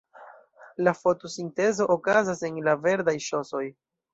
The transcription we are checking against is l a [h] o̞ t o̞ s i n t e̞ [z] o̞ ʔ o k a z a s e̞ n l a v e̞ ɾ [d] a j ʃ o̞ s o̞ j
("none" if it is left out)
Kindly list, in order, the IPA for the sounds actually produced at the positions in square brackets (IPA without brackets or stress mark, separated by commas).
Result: f, z, d